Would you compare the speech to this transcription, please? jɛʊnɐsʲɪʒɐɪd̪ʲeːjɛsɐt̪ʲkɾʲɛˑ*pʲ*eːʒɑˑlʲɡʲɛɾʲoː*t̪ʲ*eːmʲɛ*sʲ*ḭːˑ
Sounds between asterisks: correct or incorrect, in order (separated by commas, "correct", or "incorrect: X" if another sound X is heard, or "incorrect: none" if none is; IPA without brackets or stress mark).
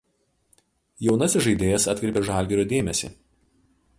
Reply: correct, incorrect: d̪ʲ, correct